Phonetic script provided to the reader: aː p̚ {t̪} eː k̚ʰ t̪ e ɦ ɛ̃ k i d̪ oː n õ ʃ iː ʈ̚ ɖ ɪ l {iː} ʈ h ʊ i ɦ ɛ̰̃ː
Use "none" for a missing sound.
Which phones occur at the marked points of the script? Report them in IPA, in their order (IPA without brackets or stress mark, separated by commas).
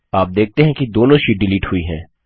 d̪, iː